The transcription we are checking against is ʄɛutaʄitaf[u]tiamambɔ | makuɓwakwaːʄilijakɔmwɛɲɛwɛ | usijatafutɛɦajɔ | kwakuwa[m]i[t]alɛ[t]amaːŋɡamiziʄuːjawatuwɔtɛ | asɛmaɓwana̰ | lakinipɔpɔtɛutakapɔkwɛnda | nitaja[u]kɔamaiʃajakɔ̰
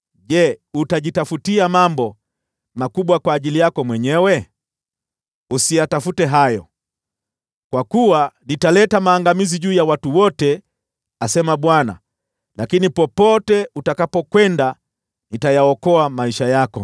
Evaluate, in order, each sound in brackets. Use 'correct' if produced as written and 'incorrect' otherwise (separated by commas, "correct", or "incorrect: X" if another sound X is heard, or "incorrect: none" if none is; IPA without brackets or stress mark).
correct, incorrect: n, correct, correct, incorrect: ɔ